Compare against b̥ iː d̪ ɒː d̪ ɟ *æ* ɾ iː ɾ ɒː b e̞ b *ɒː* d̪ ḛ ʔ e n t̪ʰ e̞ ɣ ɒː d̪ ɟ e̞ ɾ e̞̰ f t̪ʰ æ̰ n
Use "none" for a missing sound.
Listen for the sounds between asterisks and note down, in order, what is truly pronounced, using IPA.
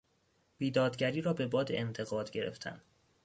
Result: æ, ɒː

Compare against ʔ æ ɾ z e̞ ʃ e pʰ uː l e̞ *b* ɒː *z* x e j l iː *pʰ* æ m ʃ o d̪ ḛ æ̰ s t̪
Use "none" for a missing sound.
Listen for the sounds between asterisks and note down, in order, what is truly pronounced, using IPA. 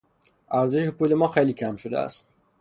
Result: m, none, cʰ

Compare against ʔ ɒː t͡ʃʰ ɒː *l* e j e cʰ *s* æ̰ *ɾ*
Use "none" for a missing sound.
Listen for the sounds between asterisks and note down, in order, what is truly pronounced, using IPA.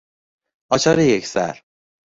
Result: ɾ, s, ɾ

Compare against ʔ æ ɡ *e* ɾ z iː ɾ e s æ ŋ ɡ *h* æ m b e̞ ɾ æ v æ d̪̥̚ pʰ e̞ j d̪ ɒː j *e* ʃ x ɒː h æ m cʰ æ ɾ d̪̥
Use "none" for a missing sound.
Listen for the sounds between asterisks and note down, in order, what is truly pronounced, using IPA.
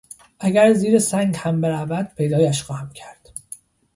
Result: æ, h, æ

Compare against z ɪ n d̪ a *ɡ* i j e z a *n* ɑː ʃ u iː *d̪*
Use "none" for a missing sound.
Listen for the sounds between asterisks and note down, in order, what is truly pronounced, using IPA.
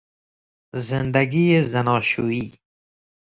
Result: ɡ, n, none

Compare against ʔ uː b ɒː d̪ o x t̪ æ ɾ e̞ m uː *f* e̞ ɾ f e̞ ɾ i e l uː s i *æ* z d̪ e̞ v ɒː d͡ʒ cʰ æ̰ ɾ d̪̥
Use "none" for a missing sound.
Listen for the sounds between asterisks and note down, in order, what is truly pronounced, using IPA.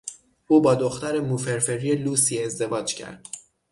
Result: f, e

